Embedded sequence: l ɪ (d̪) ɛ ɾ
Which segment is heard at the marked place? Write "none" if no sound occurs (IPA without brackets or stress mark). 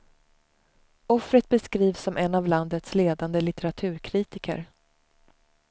t̪